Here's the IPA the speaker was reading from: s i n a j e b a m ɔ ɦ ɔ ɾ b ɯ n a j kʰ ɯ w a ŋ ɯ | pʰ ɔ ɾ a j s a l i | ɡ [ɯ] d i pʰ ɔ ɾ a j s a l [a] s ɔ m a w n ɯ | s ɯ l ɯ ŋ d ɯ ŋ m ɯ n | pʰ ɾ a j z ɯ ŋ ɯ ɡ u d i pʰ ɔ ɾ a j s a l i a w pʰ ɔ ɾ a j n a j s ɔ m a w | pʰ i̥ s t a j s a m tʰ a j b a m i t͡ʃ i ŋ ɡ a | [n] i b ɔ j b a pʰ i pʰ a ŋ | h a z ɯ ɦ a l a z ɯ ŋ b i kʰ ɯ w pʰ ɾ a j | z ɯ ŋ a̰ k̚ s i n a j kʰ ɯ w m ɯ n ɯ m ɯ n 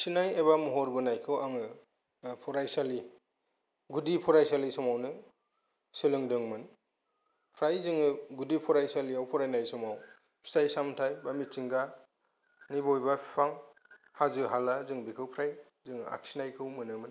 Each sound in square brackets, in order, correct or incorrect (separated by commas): incorrect, incorrect, correct